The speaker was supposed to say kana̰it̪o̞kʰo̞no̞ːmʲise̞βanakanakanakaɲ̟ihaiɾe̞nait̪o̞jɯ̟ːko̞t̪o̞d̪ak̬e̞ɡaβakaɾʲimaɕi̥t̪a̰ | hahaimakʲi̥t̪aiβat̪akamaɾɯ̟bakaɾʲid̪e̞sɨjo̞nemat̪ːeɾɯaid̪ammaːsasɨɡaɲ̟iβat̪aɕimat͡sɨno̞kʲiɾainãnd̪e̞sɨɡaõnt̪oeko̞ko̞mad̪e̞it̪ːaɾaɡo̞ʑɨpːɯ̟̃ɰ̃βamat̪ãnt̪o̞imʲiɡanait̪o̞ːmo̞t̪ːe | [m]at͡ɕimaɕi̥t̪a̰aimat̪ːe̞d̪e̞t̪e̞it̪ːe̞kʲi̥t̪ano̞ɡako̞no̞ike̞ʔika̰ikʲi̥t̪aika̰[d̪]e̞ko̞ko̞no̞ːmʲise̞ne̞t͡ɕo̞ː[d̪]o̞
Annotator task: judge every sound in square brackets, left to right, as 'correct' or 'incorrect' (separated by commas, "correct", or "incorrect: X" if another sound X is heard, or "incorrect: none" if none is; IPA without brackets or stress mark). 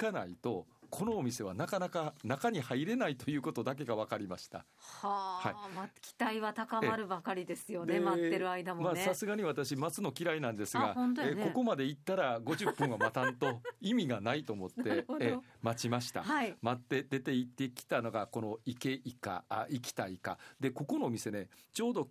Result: correct, correct, correct